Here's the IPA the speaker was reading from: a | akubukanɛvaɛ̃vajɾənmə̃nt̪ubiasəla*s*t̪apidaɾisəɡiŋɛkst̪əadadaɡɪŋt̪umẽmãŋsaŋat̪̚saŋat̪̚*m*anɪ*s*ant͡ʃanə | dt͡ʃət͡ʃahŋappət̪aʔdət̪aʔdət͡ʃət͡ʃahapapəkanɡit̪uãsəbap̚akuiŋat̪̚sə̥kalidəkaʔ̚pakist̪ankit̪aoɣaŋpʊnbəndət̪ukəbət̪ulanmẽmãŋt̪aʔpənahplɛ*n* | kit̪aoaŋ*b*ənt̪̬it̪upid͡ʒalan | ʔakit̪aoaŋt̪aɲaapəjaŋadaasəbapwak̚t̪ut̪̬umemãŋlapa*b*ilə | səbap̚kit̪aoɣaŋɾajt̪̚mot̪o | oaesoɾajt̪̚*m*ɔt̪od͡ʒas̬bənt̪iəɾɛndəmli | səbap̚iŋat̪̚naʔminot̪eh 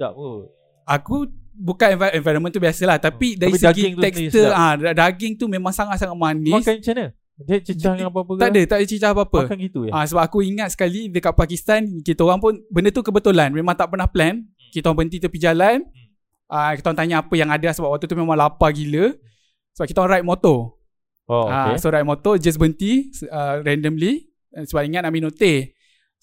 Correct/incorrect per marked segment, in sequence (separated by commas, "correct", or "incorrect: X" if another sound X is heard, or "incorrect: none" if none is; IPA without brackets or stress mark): incorrect: h, correct, correct, correct, correct, incorrect: ɡ, correct